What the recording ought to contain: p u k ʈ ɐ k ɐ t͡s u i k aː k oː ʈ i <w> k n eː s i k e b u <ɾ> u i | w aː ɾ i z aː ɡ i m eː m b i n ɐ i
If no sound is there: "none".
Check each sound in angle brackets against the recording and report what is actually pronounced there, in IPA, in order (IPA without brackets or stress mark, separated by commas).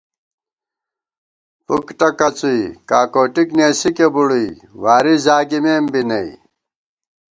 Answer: none, ɽ